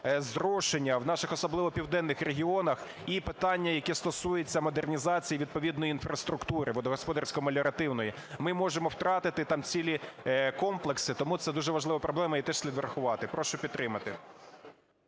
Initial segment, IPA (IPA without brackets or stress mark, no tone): z